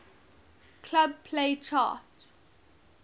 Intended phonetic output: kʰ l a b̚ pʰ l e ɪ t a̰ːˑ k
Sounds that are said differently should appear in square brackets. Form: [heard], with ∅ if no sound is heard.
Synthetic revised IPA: kʰ l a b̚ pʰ l e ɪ [t͡ʃ] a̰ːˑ [t]